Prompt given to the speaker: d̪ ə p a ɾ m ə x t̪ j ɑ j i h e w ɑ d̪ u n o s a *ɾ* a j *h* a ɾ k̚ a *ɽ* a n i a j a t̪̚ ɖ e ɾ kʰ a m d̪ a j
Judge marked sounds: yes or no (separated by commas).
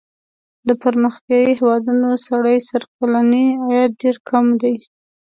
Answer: no, no, no